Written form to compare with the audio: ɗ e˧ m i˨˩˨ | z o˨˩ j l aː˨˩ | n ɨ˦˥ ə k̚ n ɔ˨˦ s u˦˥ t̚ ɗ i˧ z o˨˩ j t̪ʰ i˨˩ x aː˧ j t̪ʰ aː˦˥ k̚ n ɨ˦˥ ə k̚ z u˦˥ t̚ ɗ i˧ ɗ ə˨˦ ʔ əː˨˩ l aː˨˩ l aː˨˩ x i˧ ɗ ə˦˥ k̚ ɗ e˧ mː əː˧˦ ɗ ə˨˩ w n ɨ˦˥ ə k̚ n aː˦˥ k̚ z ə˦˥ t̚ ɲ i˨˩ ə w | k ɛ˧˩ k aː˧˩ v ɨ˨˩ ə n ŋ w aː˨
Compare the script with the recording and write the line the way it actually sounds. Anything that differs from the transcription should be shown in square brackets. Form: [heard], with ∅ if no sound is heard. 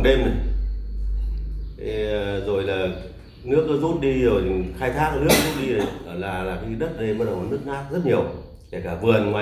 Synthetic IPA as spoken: ɗ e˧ m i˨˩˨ | z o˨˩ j l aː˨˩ | n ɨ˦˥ ə k̚ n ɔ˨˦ [z] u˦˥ t̚ ɗ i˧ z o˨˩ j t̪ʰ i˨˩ x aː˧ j t̪ʰ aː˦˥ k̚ n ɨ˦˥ ə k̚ z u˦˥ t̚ ɗ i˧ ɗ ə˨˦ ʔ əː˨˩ l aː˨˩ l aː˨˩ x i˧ ɗ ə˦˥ [t̚] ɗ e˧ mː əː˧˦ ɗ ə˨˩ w n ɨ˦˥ ə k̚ n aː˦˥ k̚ z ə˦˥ t̚ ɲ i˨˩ ə w | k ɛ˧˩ k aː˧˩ v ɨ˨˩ ə n ŋ w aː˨